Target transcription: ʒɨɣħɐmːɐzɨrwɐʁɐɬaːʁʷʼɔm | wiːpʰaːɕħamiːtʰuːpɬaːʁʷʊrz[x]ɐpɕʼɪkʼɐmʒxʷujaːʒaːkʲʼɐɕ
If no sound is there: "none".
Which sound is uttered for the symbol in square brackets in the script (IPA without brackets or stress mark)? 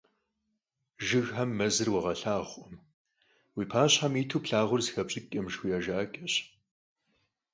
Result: x